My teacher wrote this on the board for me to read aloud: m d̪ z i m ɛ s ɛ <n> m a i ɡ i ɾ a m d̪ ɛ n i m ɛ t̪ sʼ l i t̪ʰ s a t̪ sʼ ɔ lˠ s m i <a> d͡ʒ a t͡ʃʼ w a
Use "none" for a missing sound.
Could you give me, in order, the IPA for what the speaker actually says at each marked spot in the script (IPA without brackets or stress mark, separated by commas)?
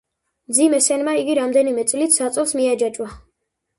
n, a